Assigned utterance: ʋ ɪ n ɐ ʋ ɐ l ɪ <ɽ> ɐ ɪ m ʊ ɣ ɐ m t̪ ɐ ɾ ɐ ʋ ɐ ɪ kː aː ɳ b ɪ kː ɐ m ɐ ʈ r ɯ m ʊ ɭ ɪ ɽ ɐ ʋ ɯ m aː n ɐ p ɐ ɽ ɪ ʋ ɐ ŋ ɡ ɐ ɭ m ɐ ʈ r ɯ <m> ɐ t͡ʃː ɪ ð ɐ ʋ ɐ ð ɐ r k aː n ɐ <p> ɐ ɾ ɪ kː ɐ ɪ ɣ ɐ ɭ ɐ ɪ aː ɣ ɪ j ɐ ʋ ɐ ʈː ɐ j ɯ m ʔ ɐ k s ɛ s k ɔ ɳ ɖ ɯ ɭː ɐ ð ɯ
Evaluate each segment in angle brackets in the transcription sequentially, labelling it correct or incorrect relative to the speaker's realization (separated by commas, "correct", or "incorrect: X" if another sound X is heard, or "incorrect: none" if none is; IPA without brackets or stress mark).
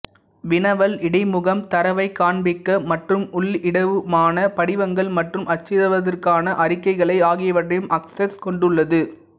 correct, correct, incorrect: ʔ